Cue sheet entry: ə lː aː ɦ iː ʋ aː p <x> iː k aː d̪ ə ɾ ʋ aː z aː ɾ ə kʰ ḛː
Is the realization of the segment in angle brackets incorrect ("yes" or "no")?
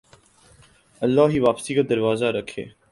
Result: yes